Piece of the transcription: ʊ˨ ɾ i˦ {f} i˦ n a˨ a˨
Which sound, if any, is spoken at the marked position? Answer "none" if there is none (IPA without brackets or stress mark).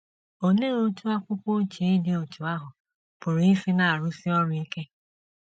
f